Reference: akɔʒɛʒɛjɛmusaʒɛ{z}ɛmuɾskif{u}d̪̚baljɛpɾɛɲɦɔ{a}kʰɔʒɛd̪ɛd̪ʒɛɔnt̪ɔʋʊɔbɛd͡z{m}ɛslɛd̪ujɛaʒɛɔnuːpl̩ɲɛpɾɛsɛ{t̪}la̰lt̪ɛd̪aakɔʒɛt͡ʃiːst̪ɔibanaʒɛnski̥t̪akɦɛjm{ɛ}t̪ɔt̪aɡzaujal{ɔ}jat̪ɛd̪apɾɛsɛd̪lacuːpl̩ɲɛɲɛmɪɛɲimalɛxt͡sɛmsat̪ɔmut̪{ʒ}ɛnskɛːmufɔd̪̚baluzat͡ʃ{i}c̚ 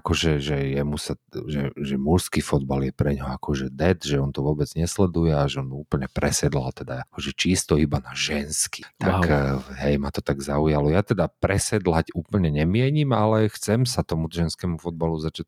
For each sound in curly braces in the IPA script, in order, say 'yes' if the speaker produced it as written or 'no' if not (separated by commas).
no, no, yes, no, no, no, yes, yes, no